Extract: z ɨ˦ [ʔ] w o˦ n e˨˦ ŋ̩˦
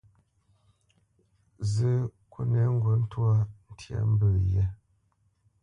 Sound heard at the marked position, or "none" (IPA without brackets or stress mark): k